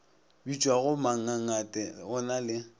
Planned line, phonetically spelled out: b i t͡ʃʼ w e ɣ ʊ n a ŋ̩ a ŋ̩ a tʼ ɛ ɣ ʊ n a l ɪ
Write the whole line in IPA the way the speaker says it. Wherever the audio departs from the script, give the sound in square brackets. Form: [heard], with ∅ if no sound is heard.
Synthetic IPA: b i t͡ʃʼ w [a] ɣ ʊ [m] a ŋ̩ a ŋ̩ a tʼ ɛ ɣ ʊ n a l ɪ